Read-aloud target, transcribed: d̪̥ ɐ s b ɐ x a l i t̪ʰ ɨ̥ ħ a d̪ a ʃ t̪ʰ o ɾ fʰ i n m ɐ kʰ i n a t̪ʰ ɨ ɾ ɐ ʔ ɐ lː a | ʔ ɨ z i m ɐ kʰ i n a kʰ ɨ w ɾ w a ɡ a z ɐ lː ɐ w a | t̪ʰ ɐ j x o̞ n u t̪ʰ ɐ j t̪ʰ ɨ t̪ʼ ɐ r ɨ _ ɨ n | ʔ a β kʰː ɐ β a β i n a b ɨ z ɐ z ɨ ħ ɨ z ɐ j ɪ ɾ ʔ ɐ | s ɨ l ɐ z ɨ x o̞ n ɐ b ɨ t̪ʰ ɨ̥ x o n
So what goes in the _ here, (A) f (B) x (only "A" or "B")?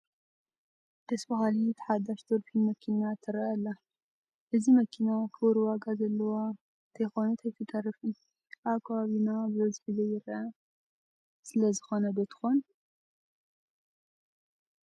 A